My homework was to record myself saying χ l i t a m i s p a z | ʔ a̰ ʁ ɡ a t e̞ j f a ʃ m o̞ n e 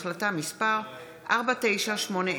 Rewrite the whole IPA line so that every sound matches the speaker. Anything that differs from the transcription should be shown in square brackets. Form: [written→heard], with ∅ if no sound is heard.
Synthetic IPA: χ l [i→a] t a m i s p a [z→ʁ] | ʔ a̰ ʁ [ɡ→b] a t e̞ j [f→ʃ] a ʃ m o̞ n e

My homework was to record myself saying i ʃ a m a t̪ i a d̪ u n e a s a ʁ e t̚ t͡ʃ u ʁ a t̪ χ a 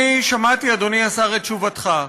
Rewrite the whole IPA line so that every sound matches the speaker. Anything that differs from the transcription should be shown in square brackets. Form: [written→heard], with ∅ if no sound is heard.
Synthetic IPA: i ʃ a m a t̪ i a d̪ [u→o] n [e→i] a s a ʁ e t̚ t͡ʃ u [ʁ→v] a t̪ χ a

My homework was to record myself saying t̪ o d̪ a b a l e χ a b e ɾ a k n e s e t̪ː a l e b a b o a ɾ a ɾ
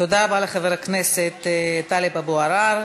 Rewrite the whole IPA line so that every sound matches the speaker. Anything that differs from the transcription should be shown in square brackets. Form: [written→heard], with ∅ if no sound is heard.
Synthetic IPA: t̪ o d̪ a b a l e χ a [b→v] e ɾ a k n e s e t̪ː a l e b a b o a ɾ a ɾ

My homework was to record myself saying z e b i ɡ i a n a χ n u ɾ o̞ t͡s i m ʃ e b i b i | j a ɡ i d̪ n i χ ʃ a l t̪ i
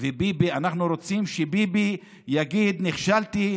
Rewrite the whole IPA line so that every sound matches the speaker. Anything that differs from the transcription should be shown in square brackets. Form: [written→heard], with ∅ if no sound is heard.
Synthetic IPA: [z→v] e b i [ɡ→b] i a n a χ n u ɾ o̞ t͡s i m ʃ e b i b i | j a ɡ i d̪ n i χ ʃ a l t̪ i

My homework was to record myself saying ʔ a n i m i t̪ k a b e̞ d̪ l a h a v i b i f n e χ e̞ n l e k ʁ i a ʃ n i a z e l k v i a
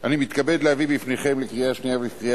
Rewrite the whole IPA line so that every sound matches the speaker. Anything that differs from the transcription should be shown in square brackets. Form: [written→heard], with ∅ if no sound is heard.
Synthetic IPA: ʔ a n i m i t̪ k a b e̞ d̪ l [a→e] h a v i b i f n e χ e̞ [n→m] l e k ʁ i a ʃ n i a [z→v] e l k [v→ʁ] i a

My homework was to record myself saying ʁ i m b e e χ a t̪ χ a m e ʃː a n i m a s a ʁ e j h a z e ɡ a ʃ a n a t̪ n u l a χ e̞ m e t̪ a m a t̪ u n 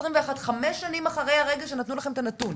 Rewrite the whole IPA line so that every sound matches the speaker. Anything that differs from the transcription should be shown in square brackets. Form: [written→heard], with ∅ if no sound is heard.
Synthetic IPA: ʁ i m [b→v] e [e→a] χ a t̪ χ a m e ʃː a n i m a [s→χ] a ʁ e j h a [z→ʁ] e ɡ a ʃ [a→e] n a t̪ n u l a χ e̞ m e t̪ a [m→n] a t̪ u n

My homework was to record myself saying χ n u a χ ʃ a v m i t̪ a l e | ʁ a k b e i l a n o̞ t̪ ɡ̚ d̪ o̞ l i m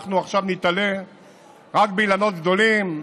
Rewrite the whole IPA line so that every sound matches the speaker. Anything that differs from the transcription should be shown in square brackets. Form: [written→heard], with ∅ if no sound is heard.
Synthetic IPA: χ n u a χ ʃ a v [m→n] i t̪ a l e | ʁ a k b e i l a n o̞ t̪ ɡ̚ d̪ o̞ l i m

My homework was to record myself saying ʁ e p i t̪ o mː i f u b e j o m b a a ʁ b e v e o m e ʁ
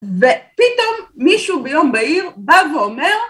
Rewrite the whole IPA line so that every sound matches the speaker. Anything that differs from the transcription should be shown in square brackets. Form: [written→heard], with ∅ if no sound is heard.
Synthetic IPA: [ʁ→v] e p i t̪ o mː i [f→ʃ] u b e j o m b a [a→i] ʁ b [e→a] v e o m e ʁ

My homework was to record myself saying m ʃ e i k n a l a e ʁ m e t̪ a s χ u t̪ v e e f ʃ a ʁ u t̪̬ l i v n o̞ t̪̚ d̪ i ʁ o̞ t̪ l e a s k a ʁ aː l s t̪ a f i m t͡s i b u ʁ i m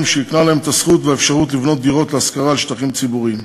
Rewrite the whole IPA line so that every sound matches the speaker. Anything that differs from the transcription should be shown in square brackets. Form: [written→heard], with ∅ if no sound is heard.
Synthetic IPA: m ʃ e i k n a l a e [ʁ→∅] m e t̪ a s χ u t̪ v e e f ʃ a ʁ u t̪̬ l i v n o̞ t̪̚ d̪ i ʁ o̞ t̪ l e a s k a ʁ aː l [s→ʃ] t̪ a [f→χ] i m t͡s i b u ʁ i m

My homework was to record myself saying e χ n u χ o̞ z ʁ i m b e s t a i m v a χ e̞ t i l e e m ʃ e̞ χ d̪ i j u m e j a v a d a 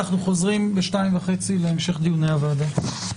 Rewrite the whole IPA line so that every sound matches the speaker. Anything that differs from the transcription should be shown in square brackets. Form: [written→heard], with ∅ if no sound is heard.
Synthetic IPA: [e→a] χ n u χ o̞ z ʁ i m b e [s→ʃ] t a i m v a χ e̞ [t→t͡s] i l e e m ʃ e̞ χ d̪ i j u [m→n] e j a v a d a

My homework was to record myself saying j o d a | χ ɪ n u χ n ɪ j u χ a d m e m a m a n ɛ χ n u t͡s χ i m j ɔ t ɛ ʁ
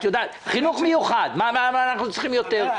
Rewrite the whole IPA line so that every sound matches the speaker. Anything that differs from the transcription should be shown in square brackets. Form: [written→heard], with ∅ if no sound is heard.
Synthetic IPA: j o d a | χ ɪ n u χ [n→m] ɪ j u χ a d m [e→a] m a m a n [ɛ→a] χ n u t͡s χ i m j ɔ t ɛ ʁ

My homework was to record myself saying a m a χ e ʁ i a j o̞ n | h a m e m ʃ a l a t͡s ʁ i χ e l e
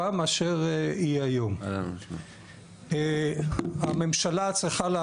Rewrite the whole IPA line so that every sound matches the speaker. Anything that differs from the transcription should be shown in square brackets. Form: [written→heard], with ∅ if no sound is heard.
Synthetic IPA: a m a [χ→ʃ] e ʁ i a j o̞ [n→m] | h a m e m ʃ a l a t͡s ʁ i χ [e→a] l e

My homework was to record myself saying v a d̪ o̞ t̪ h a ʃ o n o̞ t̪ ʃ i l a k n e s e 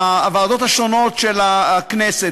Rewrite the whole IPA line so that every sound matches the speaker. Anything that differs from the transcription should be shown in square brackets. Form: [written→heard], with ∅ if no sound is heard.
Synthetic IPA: v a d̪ o̞ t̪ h a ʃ o n o̞ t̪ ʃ [i→e] l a k n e s e

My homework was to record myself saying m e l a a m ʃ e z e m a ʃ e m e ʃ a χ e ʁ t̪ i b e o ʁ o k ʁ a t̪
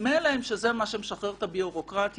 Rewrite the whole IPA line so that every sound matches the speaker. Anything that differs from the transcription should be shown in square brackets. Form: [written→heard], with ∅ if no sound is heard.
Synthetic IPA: m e l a [a→e] m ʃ e z e m a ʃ e m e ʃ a χ e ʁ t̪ [i→a] b [e→i] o ʁ o k ʁ a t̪

